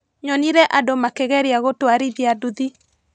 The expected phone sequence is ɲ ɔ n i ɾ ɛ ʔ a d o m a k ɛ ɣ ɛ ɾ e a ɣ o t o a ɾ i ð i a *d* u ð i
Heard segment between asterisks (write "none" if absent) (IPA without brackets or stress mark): d